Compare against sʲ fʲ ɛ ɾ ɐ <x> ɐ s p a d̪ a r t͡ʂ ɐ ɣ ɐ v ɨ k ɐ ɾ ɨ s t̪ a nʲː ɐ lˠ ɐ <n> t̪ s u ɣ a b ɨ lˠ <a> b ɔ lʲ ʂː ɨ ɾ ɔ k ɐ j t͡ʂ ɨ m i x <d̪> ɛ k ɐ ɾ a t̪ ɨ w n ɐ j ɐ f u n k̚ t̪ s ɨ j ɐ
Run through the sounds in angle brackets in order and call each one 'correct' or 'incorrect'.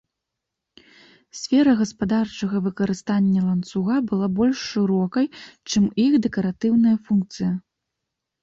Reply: incorrect, correct, correct, correct

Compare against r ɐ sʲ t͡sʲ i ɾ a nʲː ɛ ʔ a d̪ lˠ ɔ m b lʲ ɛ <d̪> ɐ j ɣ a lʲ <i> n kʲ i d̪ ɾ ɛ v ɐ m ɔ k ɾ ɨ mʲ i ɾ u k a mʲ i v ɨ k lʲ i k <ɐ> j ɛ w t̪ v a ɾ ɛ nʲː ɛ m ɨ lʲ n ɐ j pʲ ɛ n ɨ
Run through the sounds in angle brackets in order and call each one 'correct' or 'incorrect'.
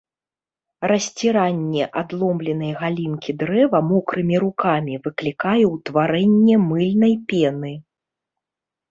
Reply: incorrect, correct, incorrect

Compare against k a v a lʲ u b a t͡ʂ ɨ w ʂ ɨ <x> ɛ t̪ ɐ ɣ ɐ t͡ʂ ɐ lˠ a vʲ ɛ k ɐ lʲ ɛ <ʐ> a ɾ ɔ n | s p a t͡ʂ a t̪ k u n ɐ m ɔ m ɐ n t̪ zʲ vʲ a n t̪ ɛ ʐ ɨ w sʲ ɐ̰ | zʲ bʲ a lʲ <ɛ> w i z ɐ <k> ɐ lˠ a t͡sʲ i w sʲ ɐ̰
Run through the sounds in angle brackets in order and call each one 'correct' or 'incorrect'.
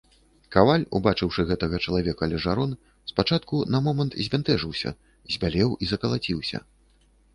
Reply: incorrect, correct, correct, correct

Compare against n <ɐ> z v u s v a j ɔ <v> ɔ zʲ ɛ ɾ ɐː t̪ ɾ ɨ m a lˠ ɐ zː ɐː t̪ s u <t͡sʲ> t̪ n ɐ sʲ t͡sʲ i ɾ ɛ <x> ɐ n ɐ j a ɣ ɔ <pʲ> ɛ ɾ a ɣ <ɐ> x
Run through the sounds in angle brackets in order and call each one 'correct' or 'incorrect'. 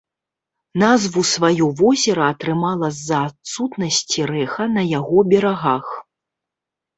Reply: incorrect, correct, incorrect, correct, incorrect, incorrect

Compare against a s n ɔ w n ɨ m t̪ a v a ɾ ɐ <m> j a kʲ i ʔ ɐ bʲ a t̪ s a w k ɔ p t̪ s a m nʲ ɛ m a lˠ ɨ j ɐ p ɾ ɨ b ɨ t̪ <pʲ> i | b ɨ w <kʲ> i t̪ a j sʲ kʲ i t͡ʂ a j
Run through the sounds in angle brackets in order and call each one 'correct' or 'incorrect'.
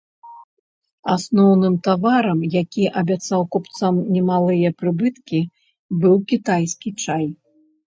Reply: correct, incorrect, correct

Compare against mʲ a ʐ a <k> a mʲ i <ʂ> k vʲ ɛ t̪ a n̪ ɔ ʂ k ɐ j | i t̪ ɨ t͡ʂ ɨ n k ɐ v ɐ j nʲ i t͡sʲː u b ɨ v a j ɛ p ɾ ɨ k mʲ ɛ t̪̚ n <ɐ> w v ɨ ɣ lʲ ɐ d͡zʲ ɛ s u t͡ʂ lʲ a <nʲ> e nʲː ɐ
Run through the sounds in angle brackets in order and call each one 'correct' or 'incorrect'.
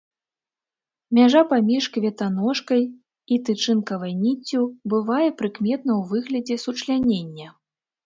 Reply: incorrect, correct, correct, correct

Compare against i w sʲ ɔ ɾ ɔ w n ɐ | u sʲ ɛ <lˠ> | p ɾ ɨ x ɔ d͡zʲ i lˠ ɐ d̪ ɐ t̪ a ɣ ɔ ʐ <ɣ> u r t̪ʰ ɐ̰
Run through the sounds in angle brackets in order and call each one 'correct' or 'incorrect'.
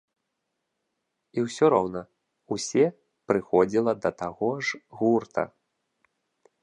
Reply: incorrect, correct

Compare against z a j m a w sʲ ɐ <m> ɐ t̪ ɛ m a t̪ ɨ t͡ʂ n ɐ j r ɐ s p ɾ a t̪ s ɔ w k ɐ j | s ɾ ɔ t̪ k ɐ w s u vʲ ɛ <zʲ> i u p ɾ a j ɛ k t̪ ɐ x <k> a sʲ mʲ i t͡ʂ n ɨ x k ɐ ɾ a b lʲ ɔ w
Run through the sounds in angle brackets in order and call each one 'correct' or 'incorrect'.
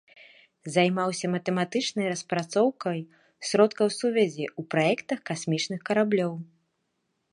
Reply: correct, correct, correct

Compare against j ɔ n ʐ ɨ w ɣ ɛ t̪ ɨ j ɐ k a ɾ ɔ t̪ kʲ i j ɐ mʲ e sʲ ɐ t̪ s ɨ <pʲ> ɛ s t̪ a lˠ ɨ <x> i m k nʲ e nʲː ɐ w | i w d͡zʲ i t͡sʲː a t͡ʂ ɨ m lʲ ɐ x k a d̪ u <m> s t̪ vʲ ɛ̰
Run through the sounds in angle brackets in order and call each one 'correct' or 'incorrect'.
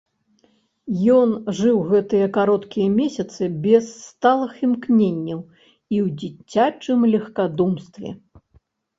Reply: incorrect, correct, correct

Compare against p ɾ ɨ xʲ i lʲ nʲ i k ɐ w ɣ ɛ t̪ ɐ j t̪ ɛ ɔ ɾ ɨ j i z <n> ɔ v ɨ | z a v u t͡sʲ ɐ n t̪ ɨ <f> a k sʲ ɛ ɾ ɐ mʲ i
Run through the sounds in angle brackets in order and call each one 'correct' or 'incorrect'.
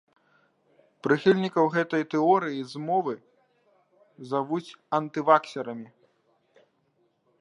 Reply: incorrect, incorrect

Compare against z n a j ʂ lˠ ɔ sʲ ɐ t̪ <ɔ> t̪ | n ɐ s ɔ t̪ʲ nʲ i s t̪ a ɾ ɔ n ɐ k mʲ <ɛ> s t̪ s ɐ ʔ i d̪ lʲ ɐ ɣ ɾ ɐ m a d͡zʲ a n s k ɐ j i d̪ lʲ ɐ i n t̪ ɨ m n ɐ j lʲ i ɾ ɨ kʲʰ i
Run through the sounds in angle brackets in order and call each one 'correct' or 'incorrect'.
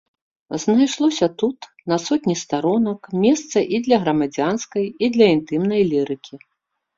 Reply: incorrect, correct

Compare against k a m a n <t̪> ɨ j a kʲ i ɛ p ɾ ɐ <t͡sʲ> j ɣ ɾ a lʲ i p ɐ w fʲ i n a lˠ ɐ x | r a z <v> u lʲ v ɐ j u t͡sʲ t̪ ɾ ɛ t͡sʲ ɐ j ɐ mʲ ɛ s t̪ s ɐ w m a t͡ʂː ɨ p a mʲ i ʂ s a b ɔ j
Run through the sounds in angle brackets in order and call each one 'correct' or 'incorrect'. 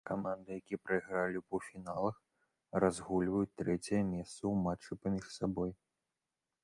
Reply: incorrect, incorrect, incorrect

